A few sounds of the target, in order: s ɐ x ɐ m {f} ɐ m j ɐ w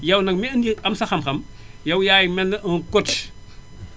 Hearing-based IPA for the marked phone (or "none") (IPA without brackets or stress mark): x